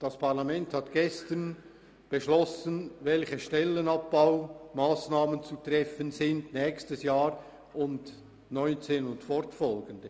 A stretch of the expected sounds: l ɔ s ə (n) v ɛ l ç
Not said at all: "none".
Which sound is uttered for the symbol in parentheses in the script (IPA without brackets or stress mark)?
n